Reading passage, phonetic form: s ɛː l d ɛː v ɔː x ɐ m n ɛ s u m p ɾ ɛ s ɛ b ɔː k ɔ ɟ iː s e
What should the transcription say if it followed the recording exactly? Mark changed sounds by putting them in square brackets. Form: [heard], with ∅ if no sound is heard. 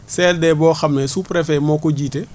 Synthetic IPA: s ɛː l d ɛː [b] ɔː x ɐ m n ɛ s u [∅] p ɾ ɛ [f] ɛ [m] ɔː k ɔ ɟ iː [t] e